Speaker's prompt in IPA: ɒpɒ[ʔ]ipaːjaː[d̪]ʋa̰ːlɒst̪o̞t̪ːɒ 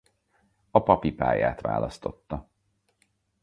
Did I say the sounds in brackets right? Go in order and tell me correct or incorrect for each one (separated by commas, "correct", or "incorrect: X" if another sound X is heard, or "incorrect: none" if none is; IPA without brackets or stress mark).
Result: incorrect: p, incorrect: t̪